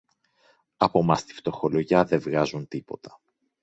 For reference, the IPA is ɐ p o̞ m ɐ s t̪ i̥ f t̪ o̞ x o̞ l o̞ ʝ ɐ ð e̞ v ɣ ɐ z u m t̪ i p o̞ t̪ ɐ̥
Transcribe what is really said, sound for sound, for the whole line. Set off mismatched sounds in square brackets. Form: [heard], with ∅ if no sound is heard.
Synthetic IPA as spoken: ɐ p o̞ m ɐ s t̪ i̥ f t̪ o̞ x o̞ l o̞ ʝ ɐ ð e̞ v ɣ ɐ z u [n] t̪ i p o̞ t̪ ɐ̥

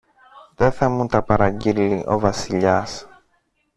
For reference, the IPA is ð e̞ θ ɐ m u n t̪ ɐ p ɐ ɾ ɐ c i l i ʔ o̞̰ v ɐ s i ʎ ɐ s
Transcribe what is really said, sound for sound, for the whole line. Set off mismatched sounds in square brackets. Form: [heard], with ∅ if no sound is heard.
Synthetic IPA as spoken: ð e̞ θ ɐ m u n t̪ ɐ p ɐ ɾ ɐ [ɟ] i l i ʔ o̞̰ v ɐ s i ʎ ɐ s

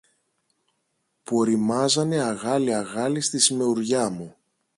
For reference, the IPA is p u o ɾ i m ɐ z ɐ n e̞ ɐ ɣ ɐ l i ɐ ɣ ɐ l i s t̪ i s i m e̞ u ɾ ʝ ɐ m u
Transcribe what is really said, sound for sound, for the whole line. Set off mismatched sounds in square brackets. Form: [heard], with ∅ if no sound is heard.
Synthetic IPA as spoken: p u o ɾ i m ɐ z ɐ n e̞ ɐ ɣ ɐ l i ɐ ɣ ɐ l i s t̪ i s i m e̞ u ɾ ʝ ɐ m u

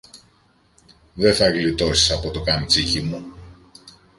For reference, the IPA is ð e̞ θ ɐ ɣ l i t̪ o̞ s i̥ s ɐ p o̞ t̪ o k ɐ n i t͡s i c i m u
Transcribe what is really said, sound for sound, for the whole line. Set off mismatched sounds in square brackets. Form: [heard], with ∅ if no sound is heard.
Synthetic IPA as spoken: ð e̞ θ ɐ ɣ l i t̪ o̞ s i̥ s ɐ p o̞ t̪ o k ɐ n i t͡s i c i m u

